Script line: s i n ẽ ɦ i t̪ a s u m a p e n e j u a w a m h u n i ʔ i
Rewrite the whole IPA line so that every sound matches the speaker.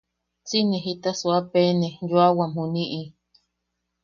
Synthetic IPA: t͡s i n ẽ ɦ i t̪ a s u a p e n e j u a w a m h u n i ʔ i